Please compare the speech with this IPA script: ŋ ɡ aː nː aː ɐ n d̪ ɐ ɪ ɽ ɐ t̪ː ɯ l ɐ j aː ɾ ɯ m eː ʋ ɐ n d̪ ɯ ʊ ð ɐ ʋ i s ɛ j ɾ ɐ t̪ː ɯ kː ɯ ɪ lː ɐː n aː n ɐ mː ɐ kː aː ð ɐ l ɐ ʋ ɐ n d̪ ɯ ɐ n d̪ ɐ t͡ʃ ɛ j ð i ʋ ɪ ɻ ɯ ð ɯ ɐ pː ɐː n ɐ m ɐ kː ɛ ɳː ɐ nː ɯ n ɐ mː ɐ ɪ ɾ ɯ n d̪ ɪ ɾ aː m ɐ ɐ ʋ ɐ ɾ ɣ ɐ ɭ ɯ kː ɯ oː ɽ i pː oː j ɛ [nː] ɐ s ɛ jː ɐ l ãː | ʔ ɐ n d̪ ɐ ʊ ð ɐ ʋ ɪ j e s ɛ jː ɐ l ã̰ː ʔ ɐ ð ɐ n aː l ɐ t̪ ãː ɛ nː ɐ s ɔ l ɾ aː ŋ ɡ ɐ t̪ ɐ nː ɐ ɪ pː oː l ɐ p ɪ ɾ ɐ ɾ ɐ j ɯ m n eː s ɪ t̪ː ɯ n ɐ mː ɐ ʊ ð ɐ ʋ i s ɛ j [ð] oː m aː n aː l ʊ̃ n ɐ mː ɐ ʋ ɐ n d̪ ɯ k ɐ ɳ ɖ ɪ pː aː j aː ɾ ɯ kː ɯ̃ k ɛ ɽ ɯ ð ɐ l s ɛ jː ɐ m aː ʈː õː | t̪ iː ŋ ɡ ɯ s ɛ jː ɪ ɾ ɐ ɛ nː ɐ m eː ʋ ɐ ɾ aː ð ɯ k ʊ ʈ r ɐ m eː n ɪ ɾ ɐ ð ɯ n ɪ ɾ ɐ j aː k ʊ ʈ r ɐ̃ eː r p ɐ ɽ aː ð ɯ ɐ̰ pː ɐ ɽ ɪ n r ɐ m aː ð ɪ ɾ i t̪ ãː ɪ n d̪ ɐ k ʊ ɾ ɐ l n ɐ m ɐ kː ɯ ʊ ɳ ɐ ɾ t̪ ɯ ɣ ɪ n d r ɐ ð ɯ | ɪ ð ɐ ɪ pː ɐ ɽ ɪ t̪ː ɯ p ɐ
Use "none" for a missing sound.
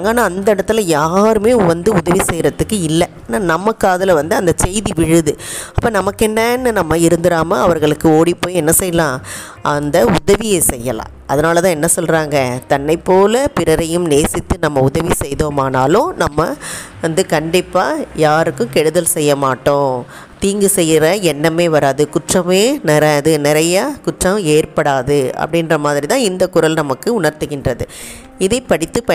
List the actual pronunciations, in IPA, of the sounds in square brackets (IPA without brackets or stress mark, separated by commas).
nː, ð